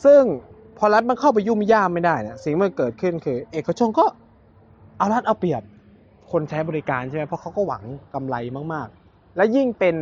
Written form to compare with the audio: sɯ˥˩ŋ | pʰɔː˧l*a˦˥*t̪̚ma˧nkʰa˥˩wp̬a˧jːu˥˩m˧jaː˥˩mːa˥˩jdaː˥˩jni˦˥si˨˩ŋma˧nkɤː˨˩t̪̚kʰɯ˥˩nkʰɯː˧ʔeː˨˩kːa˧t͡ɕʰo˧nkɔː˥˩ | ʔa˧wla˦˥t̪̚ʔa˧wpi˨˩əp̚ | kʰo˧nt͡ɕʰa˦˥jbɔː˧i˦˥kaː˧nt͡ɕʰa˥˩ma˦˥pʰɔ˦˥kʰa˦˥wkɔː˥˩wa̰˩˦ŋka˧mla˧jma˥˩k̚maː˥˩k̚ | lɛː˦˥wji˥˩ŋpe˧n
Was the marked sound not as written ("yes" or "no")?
no